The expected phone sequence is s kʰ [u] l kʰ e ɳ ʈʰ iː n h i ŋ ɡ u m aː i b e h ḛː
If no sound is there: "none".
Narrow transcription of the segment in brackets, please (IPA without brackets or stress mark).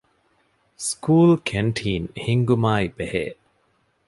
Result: uː